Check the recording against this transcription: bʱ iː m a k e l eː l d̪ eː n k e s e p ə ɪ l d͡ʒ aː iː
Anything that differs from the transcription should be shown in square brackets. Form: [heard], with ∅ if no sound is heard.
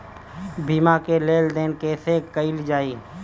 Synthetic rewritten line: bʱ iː m a k e l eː l d̪ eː n k e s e [k] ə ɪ l d͡ʒ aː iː